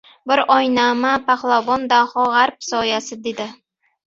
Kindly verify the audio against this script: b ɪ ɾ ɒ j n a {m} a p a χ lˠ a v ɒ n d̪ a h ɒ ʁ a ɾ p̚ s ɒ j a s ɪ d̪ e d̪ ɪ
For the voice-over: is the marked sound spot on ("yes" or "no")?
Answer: yes